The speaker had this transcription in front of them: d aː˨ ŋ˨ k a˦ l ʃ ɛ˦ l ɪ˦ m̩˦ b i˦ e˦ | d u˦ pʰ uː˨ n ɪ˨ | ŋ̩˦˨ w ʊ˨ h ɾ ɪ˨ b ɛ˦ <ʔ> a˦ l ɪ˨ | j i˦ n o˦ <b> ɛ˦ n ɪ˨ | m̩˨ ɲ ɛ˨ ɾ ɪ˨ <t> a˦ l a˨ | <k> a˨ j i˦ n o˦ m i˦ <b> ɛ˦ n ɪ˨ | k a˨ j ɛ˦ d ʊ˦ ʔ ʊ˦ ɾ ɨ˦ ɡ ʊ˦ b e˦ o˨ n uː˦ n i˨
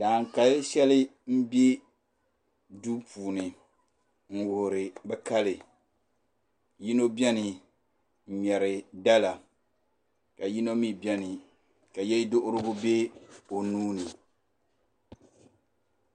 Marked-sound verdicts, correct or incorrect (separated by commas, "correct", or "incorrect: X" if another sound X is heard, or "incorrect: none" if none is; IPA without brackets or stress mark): incorrect: k, correct, incorrect: d, correct, correct